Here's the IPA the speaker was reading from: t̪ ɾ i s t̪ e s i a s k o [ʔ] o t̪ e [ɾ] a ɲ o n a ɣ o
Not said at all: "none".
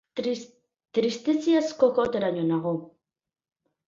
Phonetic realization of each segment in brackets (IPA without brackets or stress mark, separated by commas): k, ɾ